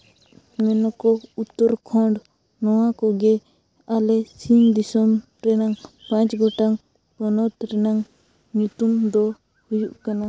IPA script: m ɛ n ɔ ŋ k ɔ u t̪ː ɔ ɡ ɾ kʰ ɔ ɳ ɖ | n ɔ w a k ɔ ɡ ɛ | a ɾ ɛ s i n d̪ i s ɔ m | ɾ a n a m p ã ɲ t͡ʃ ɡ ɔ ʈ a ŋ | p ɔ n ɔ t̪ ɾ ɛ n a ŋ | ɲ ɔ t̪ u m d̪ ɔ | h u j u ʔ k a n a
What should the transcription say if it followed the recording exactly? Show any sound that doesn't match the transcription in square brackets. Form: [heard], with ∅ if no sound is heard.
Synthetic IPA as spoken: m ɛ n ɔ [∅] k ɔ u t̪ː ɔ [∅] ɾ kʰ ɔ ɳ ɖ | n ɔ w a k ɔ ɡ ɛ | a [l] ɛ s i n d̪ i s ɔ m | ɾ [ɛ] n a [ŋ] p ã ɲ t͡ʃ ɡ ɔ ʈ a ŋ | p ɔ n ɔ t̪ ɾ ɛ n a ŋ | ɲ [u] t̪ u m d̪ ɔ | h u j u ʔ k a n a